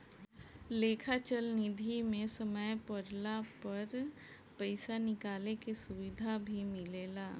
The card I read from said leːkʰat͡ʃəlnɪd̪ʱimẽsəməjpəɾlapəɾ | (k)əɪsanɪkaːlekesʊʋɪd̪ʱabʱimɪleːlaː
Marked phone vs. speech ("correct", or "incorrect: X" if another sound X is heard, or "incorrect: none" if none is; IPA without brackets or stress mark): incorrect: p